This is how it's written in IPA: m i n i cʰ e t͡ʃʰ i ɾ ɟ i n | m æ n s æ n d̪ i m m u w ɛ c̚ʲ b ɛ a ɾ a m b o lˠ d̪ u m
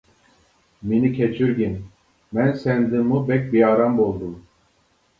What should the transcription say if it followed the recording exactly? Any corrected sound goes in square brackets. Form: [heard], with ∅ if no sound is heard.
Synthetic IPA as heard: m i n i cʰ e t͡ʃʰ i ɾ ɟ i n | m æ n s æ n d̪ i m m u [b] ɛ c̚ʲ b [i] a ɾ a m b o lˠ d̪ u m